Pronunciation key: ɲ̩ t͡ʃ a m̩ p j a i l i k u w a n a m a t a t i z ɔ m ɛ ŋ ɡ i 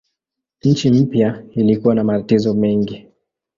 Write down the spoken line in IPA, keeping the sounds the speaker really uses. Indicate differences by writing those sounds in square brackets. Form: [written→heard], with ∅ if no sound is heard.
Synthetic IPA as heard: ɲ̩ t͡ʃ [a→i] m̩ p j a i l i k u w a n a m a t a t i z ɔ m ɛ ŋ ɡ i